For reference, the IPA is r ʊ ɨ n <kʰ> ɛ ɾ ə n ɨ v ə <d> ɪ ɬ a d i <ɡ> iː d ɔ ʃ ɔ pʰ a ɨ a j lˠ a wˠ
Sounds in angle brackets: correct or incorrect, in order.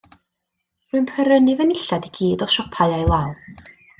incorrect, incorrect, correct

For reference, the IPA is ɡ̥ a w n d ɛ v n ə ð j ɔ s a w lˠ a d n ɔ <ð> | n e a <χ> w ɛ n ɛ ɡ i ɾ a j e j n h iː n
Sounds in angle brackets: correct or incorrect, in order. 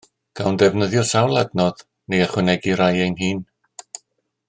correct, correct

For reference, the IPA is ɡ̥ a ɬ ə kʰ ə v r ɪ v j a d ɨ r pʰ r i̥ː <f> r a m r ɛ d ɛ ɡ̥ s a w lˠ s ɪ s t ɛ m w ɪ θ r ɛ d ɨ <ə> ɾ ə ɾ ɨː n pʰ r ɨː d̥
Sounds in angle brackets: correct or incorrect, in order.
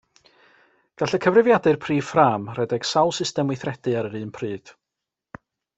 correct, incorrect

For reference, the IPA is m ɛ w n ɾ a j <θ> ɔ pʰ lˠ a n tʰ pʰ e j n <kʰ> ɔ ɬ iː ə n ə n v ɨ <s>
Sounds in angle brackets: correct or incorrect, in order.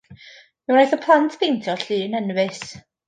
correct, incorrect, correct

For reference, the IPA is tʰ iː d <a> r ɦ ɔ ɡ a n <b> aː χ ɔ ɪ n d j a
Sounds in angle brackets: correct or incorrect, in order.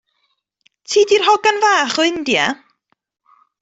incorrect, incorrect

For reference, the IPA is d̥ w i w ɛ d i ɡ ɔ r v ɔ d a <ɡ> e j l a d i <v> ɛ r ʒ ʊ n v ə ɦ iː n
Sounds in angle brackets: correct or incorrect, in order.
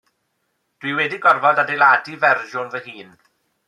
incorrect, correct

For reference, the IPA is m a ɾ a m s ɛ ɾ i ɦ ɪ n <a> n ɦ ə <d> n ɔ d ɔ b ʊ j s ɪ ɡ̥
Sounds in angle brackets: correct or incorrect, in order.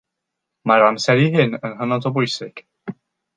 incorrect, incorrect

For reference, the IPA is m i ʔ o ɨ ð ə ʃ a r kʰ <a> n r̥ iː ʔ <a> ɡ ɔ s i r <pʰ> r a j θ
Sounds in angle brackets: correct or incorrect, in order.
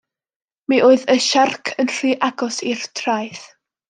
incorrect, correct, incorrect

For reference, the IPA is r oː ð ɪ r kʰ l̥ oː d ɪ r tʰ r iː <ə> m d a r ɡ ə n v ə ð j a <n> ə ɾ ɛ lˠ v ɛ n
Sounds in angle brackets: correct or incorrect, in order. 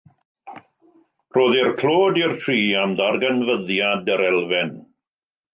incorrect, incorrect

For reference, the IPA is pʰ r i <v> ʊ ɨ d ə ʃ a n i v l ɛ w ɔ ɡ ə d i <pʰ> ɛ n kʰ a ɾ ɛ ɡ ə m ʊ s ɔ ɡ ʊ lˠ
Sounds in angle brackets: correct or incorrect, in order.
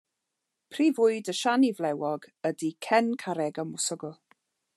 correct, incorrect

